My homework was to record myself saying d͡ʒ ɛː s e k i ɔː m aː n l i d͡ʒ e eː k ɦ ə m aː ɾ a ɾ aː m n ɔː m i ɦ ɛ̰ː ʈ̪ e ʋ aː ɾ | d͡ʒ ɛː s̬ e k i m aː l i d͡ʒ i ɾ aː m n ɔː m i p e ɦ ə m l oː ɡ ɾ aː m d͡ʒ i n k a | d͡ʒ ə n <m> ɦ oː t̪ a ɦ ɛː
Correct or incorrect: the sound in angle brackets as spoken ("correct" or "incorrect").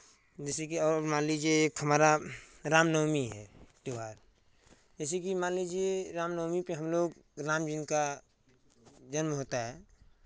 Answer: correct